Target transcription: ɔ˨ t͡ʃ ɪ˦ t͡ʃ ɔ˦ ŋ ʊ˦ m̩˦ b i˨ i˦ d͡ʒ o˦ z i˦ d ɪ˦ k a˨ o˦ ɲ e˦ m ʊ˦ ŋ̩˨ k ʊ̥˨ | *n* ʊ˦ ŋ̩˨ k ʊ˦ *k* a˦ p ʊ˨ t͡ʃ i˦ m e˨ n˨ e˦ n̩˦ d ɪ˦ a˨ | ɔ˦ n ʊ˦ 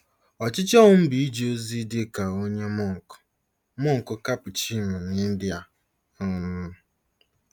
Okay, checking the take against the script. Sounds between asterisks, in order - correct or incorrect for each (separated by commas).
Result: incorrect, correct